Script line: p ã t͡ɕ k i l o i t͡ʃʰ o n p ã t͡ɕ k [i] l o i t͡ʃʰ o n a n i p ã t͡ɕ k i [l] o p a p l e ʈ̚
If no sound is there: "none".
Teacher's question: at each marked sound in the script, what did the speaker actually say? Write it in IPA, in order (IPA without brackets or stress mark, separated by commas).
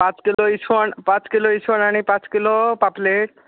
i, l